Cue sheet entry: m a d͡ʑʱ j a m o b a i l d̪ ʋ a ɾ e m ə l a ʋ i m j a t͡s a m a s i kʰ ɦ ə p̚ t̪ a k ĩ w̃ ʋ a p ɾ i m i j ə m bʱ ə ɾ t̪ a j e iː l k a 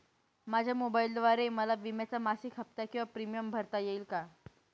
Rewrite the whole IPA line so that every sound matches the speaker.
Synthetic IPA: m a d͡ʑʱ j a m o b a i l d̪ ʋ a ɾ e m ə l a ʋ i m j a t͡s a m a s i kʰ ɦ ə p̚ t̪ a k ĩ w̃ ʋ a p ɾ i m i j ə m bʱ ə ɾ t̪ a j e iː l k a

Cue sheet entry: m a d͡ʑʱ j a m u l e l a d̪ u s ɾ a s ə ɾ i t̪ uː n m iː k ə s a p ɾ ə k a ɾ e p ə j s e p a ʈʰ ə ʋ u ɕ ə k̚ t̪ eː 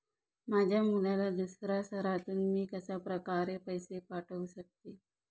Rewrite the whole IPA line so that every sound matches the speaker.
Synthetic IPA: m a d͡ʑʱ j a m u l a l a d̪ u s ɾ a s ə ɾ a t̪ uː n m iː k ə s a p ɾ ə k a ɾ e p ə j s e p a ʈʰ ə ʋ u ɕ ə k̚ t̪ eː

